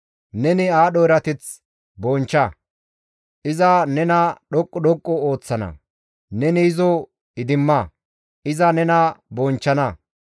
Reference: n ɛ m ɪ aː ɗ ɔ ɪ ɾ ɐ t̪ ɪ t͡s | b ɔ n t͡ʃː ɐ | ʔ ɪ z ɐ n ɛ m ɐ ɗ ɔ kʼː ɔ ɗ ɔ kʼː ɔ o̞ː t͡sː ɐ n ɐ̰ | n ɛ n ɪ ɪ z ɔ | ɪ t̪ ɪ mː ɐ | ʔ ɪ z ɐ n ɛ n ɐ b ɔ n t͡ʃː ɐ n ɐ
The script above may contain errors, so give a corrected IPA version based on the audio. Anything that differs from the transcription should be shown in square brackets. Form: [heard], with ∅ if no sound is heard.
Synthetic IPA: n ɛ [n] ɪ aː ɗ ɔ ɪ ɾ ɐ t̪ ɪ t͡s | b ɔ n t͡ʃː ɐ | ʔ ɪ z ɐ n ɛ [n] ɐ ɗ ɔ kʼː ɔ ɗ ɔ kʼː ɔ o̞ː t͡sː ɐ n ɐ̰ | n ɛ n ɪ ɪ z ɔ | ɪ [d̪] ɪ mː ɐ | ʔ ɪ z ɐ n ɛ n ɐ b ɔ n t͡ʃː ɐ n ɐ